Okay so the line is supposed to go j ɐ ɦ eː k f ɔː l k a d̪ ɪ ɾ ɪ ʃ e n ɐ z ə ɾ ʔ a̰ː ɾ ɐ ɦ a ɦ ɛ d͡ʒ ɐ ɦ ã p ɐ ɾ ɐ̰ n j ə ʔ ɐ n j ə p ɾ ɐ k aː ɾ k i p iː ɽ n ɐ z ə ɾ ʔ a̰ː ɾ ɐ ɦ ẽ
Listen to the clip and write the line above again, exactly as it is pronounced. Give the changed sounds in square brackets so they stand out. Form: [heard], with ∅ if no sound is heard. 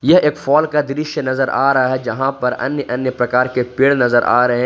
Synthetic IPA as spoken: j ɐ ɦ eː k f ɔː l k a d̪ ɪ ɾ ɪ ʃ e n ɐ z ə ɾ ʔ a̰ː ɾ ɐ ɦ a ɦ ɛ d͡ʒ ɐ ɦ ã p ɐ ɾ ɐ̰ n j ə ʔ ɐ n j ə p ɾ ɐ k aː ɾ k [e] p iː ɽ n ɐ z ə ɾ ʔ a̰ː ɾ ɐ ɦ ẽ